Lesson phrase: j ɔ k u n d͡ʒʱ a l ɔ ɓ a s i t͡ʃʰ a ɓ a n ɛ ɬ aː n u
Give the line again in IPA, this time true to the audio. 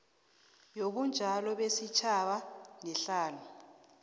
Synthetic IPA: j o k u n d͡ʒʱ a l ɔ ɓ e s i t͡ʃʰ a ɓ a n ɛ ɬ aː n u